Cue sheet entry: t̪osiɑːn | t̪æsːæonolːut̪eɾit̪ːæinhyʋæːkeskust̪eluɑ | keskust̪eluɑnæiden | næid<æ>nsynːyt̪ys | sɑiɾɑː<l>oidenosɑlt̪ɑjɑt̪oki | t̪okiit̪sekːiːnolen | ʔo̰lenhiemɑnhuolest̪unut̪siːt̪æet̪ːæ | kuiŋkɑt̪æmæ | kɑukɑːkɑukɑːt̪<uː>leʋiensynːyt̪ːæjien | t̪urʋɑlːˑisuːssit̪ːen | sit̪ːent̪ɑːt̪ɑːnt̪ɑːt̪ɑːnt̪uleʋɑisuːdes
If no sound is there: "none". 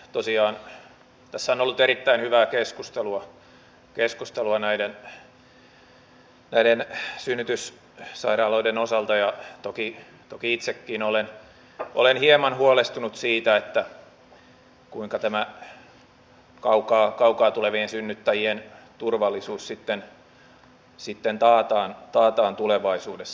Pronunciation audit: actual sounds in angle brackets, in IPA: e, l, u

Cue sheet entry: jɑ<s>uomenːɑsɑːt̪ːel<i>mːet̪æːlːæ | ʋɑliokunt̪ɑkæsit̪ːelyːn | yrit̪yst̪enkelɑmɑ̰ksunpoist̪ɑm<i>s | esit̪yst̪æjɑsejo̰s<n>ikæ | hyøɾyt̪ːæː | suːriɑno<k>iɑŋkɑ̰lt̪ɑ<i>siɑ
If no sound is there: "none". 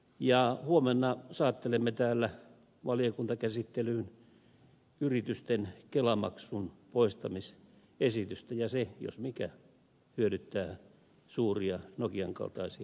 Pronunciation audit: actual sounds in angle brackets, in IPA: h, e, i, m, k, i

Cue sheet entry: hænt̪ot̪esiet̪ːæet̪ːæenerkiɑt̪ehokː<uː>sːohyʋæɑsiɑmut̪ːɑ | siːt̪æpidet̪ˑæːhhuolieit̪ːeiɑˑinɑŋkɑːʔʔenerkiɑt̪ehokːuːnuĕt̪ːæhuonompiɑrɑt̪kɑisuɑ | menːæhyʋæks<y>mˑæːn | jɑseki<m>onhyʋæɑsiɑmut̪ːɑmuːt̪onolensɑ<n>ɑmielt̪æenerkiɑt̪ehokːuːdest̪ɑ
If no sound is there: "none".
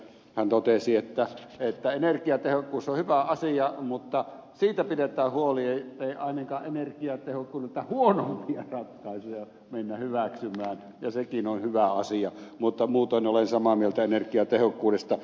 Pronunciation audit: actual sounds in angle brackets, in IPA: uː, y, n, m

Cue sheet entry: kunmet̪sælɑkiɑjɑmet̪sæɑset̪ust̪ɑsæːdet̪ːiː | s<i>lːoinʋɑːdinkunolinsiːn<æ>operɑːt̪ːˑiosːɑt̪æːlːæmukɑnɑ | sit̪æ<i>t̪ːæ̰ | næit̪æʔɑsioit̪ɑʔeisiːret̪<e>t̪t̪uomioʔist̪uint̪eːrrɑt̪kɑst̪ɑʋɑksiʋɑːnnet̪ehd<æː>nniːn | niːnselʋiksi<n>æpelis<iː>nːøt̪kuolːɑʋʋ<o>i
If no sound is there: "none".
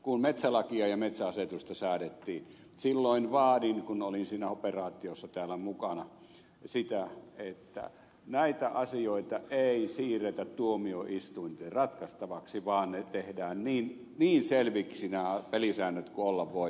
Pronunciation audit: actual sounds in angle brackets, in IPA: i, æ, e, æ, æː, n, æː, o

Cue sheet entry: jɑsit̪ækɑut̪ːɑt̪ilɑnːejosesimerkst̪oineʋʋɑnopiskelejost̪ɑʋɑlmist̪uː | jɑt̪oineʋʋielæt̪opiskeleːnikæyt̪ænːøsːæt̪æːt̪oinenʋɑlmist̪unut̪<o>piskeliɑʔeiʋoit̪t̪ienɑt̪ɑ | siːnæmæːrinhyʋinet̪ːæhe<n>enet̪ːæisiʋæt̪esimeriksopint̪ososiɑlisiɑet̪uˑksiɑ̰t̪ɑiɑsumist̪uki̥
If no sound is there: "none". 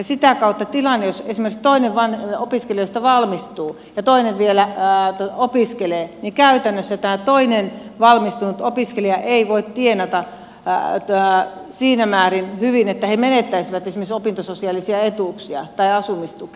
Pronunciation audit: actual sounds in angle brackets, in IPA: o, m

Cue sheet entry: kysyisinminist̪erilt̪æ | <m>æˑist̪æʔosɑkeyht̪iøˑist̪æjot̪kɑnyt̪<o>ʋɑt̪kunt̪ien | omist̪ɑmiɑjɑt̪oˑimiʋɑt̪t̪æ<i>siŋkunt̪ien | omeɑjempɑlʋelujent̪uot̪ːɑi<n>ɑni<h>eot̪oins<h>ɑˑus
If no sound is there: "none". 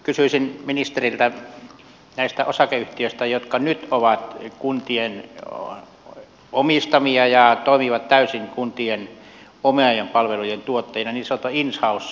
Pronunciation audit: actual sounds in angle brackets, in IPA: n, o, y, n, s, h

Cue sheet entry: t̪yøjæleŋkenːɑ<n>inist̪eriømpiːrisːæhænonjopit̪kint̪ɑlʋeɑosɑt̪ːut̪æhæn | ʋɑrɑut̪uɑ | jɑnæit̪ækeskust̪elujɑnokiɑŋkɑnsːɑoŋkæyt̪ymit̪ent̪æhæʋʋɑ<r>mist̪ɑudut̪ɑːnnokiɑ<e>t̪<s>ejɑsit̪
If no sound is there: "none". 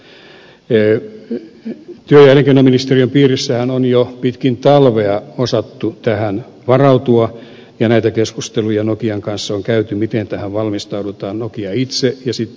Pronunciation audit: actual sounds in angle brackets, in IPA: m, l, i, s

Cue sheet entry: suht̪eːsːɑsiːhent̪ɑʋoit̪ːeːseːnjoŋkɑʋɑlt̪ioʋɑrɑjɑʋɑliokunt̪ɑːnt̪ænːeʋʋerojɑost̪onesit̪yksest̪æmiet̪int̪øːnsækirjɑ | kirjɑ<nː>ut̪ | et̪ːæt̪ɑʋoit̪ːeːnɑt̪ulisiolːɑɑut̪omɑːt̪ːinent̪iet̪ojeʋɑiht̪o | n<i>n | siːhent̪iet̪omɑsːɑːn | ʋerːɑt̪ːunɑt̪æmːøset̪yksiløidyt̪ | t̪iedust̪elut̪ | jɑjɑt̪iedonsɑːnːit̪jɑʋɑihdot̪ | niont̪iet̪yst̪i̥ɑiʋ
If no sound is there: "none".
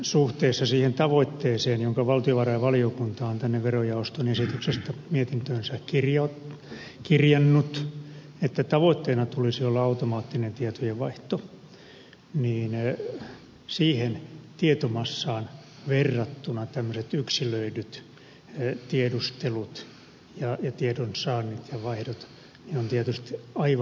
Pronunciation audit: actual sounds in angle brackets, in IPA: nː, iː

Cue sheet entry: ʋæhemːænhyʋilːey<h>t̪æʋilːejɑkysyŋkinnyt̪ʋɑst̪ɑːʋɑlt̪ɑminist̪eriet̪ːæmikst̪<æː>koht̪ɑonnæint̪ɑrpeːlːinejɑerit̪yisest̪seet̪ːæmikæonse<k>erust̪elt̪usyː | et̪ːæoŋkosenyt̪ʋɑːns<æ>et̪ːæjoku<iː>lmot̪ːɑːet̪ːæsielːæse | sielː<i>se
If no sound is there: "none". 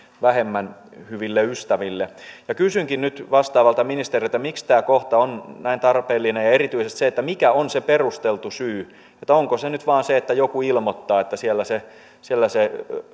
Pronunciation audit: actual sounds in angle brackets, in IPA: s, æː, p, e, i, æ

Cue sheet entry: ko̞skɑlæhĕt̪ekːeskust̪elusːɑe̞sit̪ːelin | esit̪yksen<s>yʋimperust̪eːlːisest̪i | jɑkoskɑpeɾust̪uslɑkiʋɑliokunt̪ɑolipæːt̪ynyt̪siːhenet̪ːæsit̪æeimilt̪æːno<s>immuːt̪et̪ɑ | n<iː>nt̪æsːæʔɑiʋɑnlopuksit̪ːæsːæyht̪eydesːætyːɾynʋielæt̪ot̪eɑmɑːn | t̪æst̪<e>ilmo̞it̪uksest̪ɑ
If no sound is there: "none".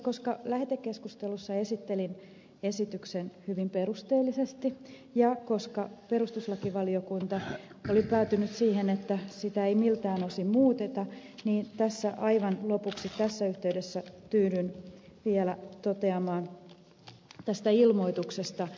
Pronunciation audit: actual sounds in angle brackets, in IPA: h, s, iː, æ

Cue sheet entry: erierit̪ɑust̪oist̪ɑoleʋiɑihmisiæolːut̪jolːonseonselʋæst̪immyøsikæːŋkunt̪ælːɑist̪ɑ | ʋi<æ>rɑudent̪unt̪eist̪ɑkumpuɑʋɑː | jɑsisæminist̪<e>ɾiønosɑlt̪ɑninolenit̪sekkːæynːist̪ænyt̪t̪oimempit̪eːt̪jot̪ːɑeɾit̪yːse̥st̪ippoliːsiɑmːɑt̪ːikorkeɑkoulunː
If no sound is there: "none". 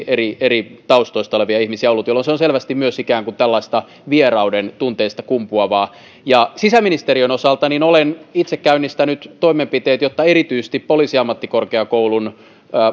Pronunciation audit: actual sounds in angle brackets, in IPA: e, e

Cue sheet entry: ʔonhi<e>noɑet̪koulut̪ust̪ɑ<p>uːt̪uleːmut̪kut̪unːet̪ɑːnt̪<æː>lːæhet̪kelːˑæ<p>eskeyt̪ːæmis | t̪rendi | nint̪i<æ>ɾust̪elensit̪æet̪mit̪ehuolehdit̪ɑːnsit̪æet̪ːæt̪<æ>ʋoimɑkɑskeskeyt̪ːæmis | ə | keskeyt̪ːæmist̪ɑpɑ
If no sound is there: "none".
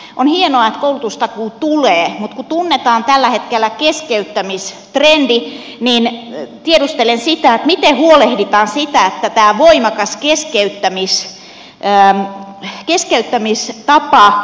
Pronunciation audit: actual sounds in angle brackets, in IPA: e, k, æ, k, e, æː

